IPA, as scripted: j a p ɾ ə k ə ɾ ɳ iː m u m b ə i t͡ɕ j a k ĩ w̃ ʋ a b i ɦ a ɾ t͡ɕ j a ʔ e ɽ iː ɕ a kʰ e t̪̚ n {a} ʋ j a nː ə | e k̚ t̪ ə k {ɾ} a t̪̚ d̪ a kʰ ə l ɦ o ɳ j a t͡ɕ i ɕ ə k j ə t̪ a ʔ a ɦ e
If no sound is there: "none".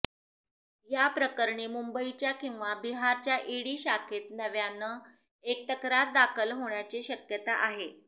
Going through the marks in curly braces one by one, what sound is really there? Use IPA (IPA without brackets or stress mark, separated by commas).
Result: ə, ɾ